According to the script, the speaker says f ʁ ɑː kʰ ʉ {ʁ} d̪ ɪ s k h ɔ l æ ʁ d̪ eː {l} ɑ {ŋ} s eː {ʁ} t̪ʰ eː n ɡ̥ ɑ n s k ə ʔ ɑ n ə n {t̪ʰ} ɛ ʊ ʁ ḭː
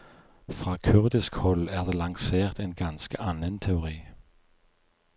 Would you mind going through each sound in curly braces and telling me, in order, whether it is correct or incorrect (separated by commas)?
correct, correct, correct, correct, correct